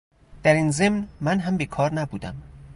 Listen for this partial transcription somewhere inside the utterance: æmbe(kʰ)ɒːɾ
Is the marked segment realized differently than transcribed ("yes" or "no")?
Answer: no